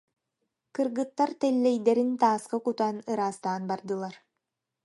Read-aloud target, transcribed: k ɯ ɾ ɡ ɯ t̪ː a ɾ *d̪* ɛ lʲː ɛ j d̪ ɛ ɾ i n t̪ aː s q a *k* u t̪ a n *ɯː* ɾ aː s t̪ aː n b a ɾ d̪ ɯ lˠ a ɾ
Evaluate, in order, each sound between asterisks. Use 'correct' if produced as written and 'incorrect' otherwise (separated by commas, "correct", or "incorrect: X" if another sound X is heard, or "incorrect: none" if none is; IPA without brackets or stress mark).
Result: incorrect: t̪, correct, incorrect: ɯ